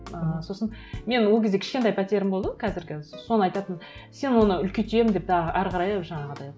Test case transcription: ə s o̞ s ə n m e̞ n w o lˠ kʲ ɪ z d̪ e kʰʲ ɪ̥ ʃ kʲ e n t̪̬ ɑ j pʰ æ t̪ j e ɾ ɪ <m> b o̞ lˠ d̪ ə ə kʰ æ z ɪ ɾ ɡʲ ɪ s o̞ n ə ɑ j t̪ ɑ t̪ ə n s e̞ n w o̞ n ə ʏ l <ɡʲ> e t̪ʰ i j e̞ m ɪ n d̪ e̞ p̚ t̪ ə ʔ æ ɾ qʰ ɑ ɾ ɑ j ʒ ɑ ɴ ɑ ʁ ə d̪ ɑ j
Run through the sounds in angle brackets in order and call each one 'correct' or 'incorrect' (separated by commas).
correct, incorrect